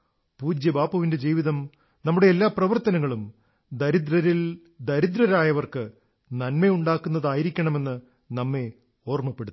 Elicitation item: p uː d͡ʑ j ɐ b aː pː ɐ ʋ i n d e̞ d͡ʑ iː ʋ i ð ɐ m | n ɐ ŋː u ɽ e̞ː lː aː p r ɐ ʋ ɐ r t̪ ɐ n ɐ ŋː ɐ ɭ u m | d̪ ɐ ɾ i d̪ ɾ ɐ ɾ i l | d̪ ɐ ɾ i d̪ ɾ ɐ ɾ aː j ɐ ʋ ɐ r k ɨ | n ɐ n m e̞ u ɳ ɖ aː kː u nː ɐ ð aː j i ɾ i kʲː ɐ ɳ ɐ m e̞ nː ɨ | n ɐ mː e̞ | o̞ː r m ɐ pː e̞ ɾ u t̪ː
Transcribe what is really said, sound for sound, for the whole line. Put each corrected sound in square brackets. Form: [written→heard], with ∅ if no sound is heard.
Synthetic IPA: p uː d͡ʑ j ɐ b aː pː ɐ ʋ i n d e̞ d͡ʑ iː ʋ i ð ɐ m | n ɐ [ŋː→mː] u ɽ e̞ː lː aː p r ɐ ʋ ɐ r t̪ ɐ n ɐ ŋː ɐ ɭ u m | d̪ ɐ ɾ i d̪ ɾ ɐ ɾ i l | d̪ ɐ ɾ i d̪ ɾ ɐ ɾ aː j ɐ ʋ ɐ r k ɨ | n ɐ n m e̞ u ɳ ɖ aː kː u nː ɐ ð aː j i ɾ i kʲː ɐ ɳ ɐ m e̞ nː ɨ | n ɐ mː e̞ | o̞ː r m ɐ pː e̞ [ɾ→ɽ] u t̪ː